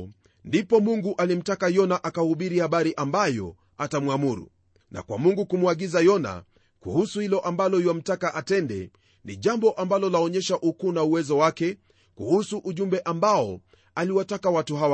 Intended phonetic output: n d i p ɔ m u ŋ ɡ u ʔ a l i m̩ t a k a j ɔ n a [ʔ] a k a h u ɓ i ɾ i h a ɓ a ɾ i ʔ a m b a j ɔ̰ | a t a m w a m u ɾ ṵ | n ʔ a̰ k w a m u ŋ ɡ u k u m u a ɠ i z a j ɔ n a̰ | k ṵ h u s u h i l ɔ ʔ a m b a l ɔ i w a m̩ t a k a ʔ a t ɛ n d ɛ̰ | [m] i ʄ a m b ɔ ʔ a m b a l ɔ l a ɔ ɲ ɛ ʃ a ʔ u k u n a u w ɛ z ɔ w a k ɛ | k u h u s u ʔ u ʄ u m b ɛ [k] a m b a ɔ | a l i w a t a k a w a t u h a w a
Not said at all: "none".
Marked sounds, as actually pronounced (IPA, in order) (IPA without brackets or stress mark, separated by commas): ʔ, n, ʔ